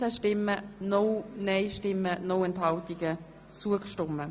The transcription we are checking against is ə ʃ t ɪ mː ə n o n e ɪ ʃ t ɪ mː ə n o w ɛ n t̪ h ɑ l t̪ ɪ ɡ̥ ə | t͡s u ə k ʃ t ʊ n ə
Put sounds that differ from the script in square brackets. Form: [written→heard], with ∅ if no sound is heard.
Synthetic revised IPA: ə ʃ t ɪ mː ə n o n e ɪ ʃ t ɪ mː ə n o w ɛ n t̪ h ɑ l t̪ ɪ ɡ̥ ə | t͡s u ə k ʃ t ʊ [n→m] ə